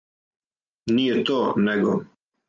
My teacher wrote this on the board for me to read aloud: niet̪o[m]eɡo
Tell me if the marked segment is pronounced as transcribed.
no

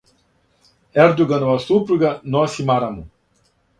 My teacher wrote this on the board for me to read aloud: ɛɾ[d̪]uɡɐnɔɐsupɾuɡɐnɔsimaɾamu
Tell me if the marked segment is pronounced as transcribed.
yes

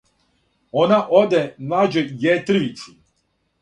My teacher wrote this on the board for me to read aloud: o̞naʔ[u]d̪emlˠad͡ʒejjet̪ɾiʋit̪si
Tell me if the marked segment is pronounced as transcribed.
no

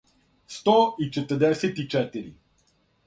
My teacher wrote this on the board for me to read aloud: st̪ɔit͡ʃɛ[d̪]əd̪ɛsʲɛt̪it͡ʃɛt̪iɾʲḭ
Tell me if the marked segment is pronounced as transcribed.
no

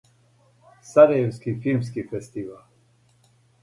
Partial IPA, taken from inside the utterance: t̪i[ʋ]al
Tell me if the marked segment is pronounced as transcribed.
no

